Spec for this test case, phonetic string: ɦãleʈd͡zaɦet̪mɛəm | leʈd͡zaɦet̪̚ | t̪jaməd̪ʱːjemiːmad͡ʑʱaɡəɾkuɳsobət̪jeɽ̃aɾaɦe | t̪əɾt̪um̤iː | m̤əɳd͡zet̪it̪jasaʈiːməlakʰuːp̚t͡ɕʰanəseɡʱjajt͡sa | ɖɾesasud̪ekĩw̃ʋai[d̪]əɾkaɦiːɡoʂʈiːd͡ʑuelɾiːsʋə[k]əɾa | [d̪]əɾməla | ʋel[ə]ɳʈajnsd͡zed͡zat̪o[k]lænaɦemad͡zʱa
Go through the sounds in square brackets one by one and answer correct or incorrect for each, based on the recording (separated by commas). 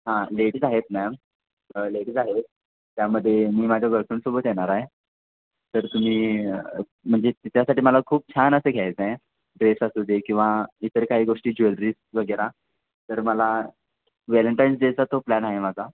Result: incorrect, incorrect, incorrect, correct, incorrect